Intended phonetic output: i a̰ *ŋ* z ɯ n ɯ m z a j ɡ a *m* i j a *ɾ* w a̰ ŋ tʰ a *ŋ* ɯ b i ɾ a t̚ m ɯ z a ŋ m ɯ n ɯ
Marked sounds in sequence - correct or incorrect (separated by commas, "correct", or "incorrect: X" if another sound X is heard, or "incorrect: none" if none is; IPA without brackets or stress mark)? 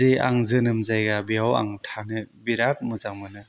correct, incorrect: b, incorrect: none, incorrect: n